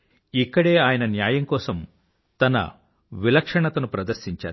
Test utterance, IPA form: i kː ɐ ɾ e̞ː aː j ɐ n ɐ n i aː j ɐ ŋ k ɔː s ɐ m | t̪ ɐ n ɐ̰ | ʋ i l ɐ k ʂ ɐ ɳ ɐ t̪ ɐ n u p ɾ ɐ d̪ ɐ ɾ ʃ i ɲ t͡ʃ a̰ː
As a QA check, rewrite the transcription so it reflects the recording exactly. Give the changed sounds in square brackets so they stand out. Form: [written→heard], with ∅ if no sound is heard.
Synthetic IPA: i kː ɐ [ɾ→ɽ] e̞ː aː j ɐ n ɐ n [i→j] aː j ɐ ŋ k ɔː s ɐ m | t̪ ɐ n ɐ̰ | ʋ i l ɐ k ʂ ɐ ɳ ɐ t̪ ɐ n u p ɾ ɐ d̪ ɐ ɾ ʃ i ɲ t͡ʃ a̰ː